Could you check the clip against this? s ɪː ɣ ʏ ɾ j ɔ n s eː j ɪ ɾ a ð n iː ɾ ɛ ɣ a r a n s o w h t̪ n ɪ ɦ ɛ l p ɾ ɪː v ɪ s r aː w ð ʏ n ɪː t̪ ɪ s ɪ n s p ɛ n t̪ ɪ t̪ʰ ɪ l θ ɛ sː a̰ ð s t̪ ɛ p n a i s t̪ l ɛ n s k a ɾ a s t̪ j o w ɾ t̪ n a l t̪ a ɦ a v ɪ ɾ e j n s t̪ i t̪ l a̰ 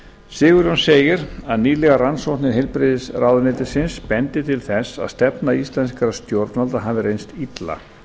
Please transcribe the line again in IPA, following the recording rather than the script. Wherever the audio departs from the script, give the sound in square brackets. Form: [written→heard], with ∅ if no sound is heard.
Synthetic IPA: s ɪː ɣ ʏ ɾ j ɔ n s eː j ɪ ɾ a ð n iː [ɾ→l] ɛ ɣ a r a n s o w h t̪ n ɪ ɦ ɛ l p ɾ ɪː [v→ð] ɪ s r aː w ð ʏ n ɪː t̪ ɪ s ɪ n s p ɛ n t̪ ɪ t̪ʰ ɪ l θ ɛ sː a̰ ð s t̪ ɛ p n a i s t̪ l ɛ n s k a ɾ a s t̪ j o w ɾ t̪ n a l t̪ a ɦ a v ɪ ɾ e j n s t̪ i t̪ l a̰